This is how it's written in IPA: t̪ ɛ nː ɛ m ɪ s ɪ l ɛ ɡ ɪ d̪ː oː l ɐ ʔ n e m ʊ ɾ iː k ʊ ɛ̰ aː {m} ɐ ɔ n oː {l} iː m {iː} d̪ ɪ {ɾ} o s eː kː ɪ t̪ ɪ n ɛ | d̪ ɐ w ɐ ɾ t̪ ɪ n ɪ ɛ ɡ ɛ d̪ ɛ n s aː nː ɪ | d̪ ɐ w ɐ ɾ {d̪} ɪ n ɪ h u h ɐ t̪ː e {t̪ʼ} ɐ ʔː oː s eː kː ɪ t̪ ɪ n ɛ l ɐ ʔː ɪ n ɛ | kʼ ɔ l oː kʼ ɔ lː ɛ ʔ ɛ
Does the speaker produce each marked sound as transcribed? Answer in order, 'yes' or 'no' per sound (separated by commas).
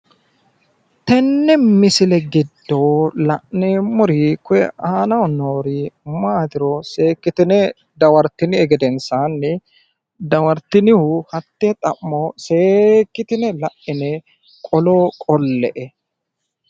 no, no, no, yes, no, yes